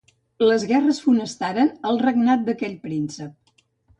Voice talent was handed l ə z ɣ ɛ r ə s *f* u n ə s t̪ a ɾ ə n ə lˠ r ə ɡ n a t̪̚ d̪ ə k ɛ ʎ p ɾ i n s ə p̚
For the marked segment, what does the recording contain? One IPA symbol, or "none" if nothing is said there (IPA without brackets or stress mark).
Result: f